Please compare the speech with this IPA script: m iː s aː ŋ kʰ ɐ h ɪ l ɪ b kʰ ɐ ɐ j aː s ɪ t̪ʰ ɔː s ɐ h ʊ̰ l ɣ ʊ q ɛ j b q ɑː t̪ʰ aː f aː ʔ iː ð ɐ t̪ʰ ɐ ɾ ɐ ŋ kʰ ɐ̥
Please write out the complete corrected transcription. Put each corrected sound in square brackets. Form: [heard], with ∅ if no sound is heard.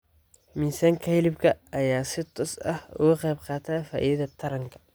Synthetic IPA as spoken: m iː s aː ŋ kʰ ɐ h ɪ l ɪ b kʰ ɐ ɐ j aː s ɪ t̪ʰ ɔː s ɐ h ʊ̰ [∅] ɣ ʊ q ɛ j b q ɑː t̪ʰ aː f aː ʔ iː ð ɐ t̪ʰ ɐ ɾ ɐ ŋ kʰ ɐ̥